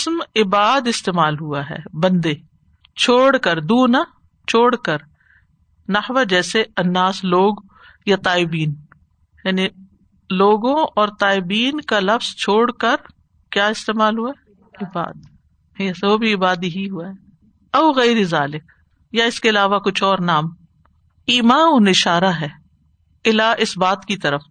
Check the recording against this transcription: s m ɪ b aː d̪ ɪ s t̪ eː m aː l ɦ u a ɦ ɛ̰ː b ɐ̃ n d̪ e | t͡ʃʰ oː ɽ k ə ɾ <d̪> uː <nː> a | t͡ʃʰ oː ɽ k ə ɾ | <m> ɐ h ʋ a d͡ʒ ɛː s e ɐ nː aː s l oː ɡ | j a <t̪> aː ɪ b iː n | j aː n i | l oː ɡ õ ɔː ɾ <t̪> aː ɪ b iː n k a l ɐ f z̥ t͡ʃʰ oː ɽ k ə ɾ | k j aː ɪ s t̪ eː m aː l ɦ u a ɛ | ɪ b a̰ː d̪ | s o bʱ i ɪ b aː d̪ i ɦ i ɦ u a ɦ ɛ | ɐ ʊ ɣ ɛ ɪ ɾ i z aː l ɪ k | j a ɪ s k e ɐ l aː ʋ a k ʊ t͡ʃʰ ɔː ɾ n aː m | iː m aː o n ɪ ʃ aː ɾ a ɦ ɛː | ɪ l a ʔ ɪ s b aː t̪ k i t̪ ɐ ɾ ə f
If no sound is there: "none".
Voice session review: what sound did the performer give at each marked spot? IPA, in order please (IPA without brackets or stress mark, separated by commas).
d̪, n, n, t̪, t̪